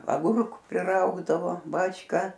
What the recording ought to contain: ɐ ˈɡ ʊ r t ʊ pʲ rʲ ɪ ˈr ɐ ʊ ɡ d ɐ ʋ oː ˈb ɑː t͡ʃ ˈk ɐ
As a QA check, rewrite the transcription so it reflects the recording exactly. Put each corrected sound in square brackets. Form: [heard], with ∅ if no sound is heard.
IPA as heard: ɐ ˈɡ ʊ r [k] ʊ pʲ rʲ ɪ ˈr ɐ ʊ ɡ d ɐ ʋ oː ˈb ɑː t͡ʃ ˈk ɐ